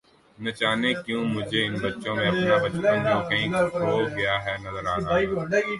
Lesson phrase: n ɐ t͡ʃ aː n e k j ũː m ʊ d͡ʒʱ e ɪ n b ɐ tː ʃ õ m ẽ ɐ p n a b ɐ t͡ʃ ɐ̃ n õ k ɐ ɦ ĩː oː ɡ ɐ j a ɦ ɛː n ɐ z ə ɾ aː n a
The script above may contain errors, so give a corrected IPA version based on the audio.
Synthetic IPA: n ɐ t͡ʃ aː n e k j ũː m ʊ d͡ʒʱ e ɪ n b ɐ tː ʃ õ m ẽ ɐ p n a b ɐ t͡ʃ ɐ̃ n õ k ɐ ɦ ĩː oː ɡ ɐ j a ɦ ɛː n ɐ z ə ɾ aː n a